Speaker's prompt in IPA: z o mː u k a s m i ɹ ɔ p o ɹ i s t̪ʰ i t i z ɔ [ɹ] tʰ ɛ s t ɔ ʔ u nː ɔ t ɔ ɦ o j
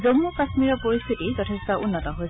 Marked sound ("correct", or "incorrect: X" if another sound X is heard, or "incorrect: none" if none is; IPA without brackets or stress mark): incorrect: none